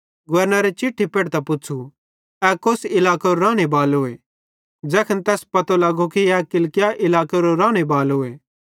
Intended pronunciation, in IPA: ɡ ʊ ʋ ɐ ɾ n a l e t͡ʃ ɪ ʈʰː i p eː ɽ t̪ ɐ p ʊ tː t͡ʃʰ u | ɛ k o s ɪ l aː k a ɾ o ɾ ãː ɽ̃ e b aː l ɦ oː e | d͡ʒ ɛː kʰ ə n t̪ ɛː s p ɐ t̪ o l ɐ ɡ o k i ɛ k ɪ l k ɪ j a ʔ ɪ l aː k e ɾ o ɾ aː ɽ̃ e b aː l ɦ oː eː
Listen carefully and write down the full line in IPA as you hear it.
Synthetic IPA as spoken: ɡ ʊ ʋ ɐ ɾ n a ɾ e t͡ʃ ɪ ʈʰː i p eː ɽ t̪ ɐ p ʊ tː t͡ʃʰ u | ɛ k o s ɪ l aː k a ɾ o ɾ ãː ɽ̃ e b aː l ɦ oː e | d͡ʒ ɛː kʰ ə n t̪ ɛː s p ɐ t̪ o l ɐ ɡ o k i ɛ k ɪ l k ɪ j a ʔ ɪ l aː k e ɾ o ɾ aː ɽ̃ e b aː l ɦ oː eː